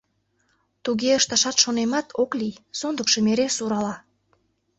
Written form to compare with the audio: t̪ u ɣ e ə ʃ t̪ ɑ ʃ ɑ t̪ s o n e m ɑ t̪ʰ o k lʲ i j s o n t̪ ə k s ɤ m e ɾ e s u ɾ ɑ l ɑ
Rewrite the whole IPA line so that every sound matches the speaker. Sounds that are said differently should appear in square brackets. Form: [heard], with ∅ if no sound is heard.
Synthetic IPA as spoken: t̪ u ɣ e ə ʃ t̪ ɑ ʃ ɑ t̪ [ʃ] o n e m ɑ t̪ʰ o k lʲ i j s o n [d̪] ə k [ʃ] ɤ m e ɾ e s u ɾ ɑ l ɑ